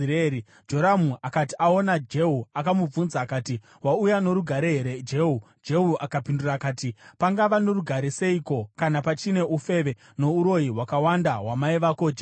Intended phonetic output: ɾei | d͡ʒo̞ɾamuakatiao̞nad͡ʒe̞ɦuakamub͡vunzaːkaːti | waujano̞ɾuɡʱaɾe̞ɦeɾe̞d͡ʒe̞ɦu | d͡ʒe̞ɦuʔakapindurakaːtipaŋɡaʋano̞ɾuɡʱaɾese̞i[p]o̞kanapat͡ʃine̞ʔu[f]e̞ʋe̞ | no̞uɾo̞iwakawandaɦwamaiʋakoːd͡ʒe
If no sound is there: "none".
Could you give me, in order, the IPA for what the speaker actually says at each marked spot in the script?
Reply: k, f

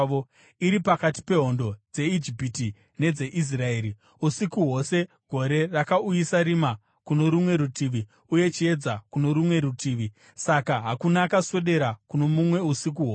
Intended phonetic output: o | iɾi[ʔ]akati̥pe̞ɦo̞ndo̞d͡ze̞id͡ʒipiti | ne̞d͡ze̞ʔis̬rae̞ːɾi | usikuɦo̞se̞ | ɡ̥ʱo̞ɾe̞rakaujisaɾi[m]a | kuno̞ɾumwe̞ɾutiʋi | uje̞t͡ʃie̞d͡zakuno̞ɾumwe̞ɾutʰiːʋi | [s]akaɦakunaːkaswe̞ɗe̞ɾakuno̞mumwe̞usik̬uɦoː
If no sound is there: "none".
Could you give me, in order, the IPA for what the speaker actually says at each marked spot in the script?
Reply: p, m, s

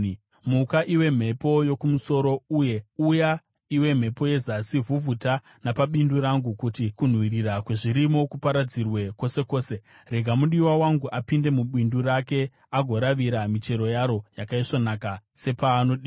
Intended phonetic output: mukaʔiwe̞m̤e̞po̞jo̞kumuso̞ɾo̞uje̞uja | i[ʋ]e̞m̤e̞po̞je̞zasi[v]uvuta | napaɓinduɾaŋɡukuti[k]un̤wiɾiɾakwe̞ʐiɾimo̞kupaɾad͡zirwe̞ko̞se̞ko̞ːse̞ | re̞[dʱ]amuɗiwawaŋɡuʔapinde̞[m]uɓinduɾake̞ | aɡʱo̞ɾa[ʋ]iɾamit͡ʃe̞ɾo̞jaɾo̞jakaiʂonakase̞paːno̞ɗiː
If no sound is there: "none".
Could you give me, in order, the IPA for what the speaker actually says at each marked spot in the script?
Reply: w, v, k, ɡʱ, m, ʋ

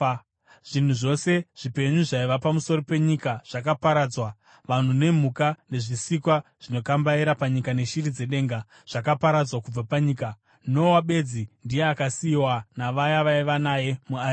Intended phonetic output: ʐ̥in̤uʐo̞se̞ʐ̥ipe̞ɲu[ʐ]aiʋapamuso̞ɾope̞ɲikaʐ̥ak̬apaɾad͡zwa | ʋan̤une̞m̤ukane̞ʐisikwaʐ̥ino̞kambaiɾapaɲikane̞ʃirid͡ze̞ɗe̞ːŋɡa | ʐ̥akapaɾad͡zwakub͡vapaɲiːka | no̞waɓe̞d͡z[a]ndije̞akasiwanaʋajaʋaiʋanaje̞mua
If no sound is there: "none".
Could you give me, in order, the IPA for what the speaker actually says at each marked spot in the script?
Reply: ʐ, i

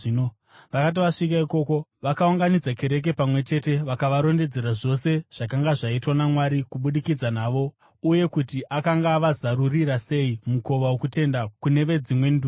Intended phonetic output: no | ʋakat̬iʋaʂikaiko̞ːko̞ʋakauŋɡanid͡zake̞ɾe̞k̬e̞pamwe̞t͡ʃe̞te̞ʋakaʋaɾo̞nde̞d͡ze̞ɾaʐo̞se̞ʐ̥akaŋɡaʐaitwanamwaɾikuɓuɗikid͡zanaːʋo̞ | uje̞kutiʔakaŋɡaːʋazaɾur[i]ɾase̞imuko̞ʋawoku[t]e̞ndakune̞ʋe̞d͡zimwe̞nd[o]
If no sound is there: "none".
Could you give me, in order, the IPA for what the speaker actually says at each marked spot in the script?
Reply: i, t, u

